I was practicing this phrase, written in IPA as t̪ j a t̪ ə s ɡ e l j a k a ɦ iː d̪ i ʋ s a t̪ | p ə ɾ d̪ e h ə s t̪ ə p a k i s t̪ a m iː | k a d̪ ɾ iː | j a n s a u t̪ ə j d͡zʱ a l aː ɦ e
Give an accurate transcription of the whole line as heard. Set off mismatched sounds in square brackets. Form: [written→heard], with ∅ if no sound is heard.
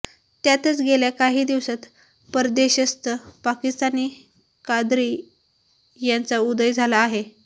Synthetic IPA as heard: t̪ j a t̪ ə [s→t͡s] ɡ e l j a k a ɦ iː d̪ i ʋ s a t̪ | p ə ɾ d̪ e [h→ɕ] ə s t̪ ə p a k i s t̪ a [m→n] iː | k a d̪ ɾ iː | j a n [s→t͡s] a u [t̪→d̪] ə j d͡zʱ a l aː ɦ e